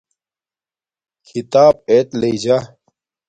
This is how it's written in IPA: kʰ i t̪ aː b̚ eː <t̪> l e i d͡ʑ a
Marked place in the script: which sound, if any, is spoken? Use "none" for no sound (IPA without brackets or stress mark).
t̪